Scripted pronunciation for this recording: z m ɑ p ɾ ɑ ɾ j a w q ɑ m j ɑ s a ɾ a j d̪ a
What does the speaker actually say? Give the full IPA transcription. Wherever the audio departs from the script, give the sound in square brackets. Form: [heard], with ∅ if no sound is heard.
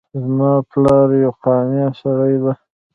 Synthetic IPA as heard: z m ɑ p [l] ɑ ɾ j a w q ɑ m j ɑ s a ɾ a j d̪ a